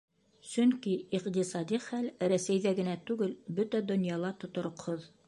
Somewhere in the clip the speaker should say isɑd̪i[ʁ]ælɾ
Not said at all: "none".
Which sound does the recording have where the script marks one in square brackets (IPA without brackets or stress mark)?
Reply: χ